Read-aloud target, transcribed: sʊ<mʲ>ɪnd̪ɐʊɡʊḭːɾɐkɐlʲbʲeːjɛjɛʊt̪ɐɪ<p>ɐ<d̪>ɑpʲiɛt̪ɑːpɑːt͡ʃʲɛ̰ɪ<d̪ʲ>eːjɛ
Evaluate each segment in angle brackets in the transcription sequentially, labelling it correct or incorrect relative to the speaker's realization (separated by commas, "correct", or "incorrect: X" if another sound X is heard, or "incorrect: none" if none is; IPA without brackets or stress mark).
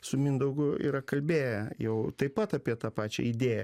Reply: correct, correct, incorrect: t̪, correct